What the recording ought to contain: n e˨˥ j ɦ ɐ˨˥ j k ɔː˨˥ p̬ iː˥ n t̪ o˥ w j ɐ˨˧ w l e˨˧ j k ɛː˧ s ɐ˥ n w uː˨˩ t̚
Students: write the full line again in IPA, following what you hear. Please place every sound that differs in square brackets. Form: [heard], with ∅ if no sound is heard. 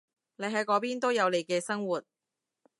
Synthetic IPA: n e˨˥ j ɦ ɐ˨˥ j k ɔː˨˥ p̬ iː˥ n t̪ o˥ w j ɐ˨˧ w l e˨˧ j k ɛː˧ s ɐ˥ [ŋ] w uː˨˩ t̚